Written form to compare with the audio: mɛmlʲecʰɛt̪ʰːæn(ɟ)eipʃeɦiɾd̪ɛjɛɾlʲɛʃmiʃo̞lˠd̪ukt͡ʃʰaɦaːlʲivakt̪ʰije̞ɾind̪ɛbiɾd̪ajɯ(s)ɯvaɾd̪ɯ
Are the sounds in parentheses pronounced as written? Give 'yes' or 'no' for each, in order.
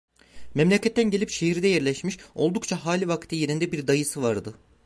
yes, yes

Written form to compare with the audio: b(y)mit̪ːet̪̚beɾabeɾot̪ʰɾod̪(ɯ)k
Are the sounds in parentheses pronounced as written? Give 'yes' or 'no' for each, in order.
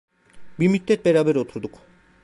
no, no

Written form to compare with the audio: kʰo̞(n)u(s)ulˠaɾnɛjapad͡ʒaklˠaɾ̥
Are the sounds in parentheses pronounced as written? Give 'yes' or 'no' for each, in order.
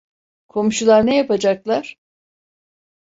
no, no

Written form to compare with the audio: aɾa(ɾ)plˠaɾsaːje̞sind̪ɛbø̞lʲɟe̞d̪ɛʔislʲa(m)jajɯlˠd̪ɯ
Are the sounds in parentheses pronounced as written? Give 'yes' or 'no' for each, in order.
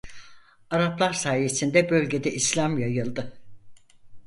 no, yes

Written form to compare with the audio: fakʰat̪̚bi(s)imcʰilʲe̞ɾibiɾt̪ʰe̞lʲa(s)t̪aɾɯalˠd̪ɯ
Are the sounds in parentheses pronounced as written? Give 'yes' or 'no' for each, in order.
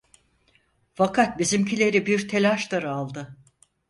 no, no

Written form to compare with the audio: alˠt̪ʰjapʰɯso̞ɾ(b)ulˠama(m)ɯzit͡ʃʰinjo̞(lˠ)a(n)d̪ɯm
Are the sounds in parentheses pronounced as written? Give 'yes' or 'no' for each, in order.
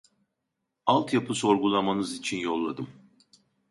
no, no, no, no

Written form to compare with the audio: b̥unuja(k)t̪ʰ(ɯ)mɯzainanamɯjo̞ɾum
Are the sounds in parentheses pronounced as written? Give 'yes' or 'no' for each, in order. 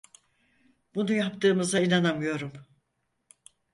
no, no

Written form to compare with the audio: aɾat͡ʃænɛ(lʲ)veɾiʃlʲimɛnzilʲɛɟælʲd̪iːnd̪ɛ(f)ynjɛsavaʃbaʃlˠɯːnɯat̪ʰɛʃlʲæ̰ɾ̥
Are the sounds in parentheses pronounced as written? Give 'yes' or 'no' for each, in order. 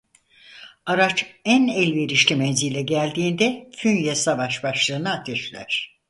yes, yes

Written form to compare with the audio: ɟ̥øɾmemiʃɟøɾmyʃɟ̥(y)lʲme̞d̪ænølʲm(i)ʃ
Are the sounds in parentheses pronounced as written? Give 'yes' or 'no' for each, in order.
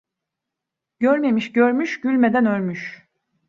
yes, no

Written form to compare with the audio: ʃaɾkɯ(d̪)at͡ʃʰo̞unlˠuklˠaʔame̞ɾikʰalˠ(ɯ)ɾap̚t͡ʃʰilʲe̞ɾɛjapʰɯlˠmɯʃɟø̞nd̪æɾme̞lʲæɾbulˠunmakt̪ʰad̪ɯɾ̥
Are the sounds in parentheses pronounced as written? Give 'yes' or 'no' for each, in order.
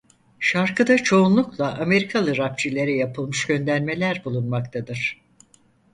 yes, yes

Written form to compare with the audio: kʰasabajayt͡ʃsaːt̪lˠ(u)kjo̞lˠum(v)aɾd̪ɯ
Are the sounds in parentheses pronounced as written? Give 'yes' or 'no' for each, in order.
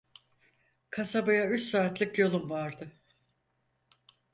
no, yes

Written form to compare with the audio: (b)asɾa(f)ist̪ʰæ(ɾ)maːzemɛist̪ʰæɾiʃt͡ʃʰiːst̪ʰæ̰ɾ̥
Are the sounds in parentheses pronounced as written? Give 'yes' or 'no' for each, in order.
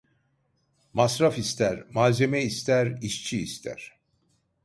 no, yes, yes

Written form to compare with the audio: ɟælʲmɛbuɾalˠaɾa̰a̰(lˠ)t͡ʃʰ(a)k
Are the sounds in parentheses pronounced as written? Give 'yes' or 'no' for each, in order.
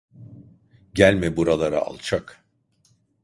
yes, yes

